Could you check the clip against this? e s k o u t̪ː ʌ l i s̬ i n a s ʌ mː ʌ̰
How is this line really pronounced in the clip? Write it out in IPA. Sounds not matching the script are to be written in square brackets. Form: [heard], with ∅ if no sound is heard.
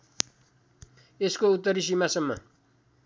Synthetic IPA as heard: e s k o u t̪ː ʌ [ɾ] i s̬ i [m] a s ʌ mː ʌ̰